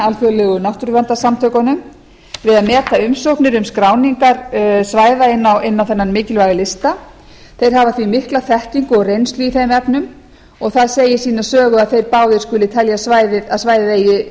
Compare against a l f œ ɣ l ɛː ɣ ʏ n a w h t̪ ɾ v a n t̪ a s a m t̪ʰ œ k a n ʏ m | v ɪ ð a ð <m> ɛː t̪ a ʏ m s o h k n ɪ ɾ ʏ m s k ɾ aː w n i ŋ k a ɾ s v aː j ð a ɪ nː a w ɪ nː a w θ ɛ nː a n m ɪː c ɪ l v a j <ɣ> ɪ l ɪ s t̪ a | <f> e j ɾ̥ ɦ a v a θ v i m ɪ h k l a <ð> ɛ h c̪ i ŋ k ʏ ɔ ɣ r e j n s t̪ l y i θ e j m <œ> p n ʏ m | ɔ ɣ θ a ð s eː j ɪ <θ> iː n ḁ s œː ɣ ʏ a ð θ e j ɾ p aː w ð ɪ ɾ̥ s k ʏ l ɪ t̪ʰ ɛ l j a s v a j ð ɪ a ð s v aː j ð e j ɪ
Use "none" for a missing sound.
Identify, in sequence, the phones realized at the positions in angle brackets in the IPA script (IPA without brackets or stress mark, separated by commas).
m, ɣ, θ, θ, ɛ, s